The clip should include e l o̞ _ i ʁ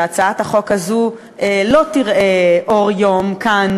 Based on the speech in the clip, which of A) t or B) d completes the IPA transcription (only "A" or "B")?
A